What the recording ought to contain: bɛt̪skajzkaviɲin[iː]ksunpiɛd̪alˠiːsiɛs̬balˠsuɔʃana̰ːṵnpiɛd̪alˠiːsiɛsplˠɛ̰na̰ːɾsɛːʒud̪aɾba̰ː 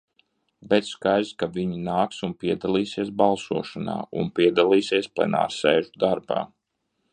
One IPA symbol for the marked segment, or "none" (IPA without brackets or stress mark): aː